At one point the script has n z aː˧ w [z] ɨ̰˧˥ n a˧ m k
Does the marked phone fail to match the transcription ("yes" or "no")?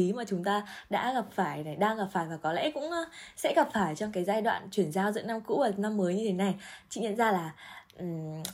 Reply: no